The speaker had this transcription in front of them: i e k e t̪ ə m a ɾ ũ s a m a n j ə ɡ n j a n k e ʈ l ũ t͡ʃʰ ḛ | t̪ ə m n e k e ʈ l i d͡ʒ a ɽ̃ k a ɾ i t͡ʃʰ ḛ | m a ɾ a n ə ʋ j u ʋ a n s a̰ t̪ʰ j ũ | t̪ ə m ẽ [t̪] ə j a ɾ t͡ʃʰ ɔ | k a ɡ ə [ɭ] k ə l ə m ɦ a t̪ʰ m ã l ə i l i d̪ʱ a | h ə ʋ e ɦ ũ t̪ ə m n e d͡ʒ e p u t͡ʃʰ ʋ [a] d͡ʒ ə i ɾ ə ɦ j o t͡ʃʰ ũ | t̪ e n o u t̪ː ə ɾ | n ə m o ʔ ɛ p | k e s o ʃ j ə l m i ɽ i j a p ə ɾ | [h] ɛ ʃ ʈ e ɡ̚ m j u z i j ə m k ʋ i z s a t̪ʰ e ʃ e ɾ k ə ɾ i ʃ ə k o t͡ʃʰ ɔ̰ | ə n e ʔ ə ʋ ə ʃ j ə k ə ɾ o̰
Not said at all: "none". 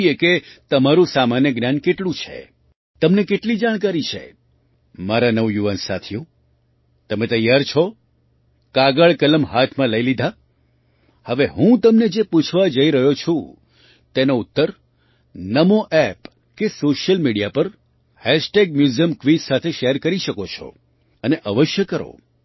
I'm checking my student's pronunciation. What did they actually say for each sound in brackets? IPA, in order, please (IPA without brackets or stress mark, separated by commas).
t̪, ɭ, a, h